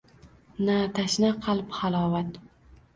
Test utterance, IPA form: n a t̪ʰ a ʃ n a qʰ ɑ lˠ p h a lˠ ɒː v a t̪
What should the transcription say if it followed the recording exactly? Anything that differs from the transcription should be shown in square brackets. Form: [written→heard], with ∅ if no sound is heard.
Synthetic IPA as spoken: n a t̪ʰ a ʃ n a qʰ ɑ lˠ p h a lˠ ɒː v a t̪